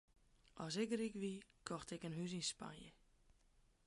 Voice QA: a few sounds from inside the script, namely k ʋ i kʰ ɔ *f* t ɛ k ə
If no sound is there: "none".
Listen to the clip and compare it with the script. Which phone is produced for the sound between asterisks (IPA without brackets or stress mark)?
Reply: x